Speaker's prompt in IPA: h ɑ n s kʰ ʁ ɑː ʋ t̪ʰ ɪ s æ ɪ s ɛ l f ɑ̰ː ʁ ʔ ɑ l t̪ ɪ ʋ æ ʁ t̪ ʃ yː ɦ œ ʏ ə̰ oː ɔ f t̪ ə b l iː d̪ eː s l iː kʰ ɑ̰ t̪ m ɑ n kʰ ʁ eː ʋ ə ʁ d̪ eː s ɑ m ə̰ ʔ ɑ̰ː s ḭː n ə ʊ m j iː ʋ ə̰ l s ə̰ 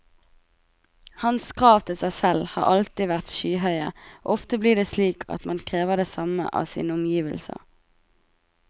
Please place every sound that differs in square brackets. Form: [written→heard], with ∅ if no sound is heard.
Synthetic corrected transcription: h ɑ n s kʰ ʁ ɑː ʋ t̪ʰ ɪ s æ ɪ s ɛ l [f→h] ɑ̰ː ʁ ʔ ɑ l t̪ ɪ ʋ æ ʁ t̪ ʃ yː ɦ œ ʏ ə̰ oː ɔ f t̪ ə b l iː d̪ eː s l iː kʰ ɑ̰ t̪ m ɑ n kʰ ʁ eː ʋ ə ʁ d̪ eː s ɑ m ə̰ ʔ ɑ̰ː s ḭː n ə ʊ m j iː ʋ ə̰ l s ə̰